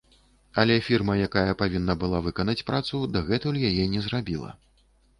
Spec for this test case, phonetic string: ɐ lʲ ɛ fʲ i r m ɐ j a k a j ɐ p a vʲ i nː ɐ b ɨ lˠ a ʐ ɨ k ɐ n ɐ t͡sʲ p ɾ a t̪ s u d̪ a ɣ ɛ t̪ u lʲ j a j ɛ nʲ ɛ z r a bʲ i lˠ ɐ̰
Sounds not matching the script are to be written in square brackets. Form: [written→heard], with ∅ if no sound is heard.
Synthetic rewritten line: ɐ lʲ ɛ fʲ i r m ɐ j a k a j ɐ p a vʲ i nː ɐ b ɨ lˠ a [ʐ→v] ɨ k ɐ n ɐ t͡sʲ p ɾ a t̪ s u d̪ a ɣ ɛ t̪ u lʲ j a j ɛ nʲ ɛ z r a bʲ i lˠ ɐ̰